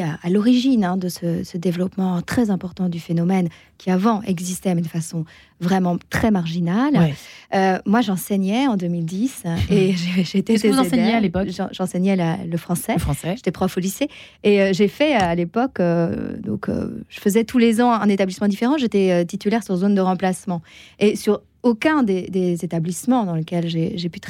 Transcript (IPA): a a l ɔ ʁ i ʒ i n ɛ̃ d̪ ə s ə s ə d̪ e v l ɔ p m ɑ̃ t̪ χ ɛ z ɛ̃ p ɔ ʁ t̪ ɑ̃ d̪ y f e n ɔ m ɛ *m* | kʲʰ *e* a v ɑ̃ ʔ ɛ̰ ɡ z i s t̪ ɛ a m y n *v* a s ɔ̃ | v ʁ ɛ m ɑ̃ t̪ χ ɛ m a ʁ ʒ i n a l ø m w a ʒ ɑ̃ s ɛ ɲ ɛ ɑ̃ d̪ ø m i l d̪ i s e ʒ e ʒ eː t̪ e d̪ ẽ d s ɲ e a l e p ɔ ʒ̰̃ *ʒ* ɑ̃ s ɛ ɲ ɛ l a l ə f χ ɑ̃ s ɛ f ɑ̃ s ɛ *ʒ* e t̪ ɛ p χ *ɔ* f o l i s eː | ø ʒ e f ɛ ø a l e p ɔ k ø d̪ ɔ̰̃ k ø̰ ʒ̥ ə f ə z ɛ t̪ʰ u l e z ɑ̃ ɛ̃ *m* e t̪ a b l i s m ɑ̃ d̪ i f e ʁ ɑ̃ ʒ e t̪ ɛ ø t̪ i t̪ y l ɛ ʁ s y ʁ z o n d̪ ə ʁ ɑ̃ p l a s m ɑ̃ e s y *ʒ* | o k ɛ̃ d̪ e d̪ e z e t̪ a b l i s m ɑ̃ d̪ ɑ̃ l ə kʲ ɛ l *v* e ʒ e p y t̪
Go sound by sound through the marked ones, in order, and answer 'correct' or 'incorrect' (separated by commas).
incorrect, incorrect, incorrect, correct, correct, correct, incorrect, incorrect, incorrect